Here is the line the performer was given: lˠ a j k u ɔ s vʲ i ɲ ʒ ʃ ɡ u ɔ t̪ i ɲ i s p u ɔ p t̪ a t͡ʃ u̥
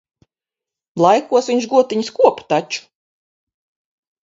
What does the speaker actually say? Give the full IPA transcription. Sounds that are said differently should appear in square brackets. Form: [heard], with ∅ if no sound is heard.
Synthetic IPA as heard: lˠ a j k u ɔ s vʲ i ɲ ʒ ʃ ɡ u ɔ t̪ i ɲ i s [k] u ɔ p t̪ a t͡ʃ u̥

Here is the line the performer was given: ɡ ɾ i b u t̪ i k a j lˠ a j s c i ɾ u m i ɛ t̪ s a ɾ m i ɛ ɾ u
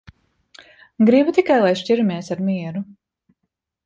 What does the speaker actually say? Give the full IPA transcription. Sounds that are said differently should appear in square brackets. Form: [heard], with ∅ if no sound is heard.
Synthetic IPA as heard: ɡ ɾ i b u t̪ i k a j lˠ a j [ʃ] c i ɾ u m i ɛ [∅] s a ɾ m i ɛ ɾ u

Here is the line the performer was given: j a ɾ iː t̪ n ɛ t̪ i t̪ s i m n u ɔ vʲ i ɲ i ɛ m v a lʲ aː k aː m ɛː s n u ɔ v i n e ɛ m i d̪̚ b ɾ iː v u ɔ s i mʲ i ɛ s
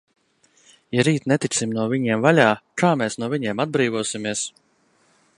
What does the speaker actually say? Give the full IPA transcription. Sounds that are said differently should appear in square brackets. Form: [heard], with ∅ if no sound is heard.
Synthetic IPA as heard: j a ɾ iː t̪ n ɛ t̪ i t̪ s i m n u ɔ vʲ i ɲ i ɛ m v a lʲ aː k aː m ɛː s n u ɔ v i [ɲ] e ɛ m [a] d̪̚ b ɾ iː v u ɔ s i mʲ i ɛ s

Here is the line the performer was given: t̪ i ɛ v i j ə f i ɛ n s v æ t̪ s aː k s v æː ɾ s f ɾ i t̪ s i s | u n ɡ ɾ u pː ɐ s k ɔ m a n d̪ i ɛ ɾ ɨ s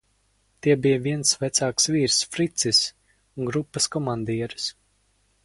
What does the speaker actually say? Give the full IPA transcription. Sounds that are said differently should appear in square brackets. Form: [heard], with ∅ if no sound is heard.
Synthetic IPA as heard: t̪ i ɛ [b] i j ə [v] i ɛ n s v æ t̪ s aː k s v [iː] ɾ s f ɾ i t̪ s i s | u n ɡ ɾ u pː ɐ s k ɔ m a n d̪ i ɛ ɾ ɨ s

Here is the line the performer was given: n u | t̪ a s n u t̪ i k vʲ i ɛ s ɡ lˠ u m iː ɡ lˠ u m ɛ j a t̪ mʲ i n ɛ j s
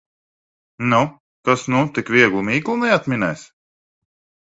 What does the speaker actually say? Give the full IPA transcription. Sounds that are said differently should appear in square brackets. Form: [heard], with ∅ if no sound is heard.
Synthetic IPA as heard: n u | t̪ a s n u t̪ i k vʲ i ɛ [∅] ɡ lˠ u m iː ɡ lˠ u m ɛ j a t̪ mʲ i n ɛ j s

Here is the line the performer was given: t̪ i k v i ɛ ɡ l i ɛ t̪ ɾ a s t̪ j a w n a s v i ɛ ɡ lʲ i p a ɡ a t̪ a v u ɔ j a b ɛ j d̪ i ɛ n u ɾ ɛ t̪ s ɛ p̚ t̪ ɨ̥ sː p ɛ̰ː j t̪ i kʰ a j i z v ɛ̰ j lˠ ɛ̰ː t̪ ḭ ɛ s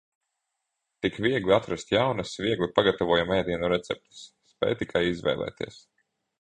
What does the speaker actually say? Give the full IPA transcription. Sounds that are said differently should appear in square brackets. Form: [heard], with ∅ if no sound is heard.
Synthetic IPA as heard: t̪ i k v i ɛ ɡ l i [a] t̪ ɾ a s t̪ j a w n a s v i ɛ ɡ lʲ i p a ɡ a t̪ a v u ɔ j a [m] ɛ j d̪ i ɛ n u ɾ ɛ t̪ s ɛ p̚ t̪ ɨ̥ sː p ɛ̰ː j t̪ i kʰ a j i z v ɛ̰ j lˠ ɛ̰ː t̪ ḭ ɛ s

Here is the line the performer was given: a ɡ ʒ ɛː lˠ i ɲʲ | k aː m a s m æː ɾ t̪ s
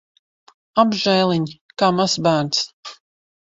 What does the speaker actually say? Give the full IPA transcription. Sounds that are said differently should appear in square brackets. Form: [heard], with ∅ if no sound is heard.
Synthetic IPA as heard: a [b] ʒ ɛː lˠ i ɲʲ | k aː m a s [b] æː ɾ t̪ s

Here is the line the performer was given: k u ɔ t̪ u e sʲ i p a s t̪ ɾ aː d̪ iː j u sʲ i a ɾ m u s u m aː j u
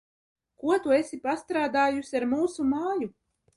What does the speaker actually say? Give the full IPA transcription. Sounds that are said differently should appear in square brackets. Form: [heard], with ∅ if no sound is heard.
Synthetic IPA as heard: k u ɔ t̪ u e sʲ i p a s t̪ ɾ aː d̪ [aː] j u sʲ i a ɾ m [uː] s u m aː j u

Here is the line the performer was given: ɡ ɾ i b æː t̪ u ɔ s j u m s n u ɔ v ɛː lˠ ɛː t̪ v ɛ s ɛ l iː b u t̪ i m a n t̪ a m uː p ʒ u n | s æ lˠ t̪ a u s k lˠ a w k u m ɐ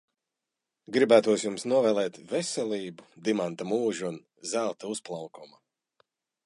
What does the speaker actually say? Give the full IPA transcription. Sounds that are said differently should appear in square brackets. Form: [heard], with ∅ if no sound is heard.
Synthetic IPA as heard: ɡ ɾ i b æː t̪ u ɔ s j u m s n u ɔ v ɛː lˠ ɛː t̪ v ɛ s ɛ l iː b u [d̪] i m a n t̪ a m uː [∅] ʒ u n | [z] æ lˠ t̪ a u s [p] lˠ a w k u m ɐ

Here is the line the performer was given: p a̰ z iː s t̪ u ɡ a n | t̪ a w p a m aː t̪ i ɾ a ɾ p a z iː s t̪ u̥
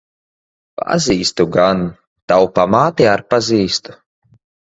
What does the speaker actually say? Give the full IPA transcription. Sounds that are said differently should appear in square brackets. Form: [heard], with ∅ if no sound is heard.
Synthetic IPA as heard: p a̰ z iː s t̪ u ɡ a n | t̪ a w p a m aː t̪ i [∅] a ɾ p a z iː s t̪ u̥

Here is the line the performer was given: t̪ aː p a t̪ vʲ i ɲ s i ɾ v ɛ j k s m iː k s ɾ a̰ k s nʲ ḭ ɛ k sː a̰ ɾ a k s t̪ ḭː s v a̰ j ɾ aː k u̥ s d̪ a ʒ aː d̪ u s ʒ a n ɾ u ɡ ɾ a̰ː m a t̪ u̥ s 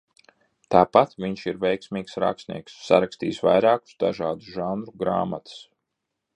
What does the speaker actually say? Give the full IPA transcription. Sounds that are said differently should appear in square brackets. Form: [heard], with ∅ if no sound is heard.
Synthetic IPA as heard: t̪ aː p a t̪ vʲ i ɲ [ʃ] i ɾ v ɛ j k s m iː k s ɾ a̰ k s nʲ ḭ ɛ k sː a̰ ɾ a k s t̪ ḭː s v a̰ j ɾ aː k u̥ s d̪ a ʒ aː d̪ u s ʒ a n ɾ u ɡ ɾ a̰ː m a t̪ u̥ s

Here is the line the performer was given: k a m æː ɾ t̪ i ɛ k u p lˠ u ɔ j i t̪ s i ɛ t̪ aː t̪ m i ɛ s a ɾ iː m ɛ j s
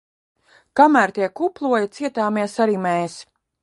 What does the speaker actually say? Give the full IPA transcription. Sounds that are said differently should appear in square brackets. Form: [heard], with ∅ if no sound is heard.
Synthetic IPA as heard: k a m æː ɾ t̪ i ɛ k u p lˠ u ɔ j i t̪ s i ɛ t̪ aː [∅] m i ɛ s a ɾ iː m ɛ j s

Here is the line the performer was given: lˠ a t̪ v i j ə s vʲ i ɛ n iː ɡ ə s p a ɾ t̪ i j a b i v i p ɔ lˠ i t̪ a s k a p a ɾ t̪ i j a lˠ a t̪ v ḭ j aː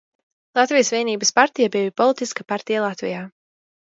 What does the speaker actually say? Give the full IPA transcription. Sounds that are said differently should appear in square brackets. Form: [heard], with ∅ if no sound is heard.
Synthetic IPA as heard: lˠ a t̪ v i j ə s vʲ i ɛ n iː [b] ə s p a ɾ t̪ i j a b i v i p ɔ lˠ i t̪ [i] s k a p a ɾ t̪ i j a lˠ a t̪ v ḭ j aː

